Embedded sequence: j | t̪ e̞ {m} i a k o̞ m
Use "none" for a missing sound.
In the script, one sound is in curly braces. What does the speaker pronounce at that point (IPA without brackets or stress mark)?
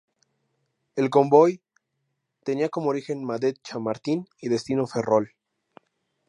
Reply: n